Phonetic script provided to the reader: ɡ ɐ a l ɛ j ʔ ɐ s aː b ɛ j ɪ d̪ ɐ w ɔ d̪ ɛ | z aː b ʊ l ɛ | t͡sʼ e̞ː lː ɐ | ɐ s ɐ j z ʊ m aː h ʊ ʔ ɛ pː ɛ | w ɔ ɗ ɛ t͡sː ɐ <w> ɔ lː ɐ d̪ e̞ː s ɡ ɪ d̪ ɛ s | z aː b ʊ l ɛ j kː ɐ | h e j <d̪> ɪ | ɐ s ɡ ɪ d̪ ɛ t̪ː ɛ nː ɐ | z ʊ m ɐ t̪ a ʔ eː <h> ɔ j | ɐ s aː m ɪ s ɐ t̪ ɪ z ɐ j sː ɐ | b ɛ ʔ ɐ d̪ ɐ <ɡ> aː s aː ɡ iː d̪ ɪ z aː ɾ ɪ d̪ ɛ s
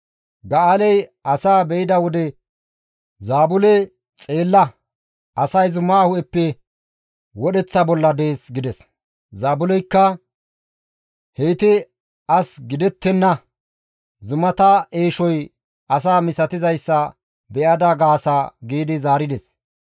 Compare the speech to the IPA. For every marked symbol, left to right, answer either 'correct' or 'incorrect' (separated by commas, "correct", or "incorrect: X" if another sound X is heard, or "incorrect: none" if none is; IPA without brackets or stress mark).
incorrect: b, incorrect: t̪, incorrect: ʃ, correct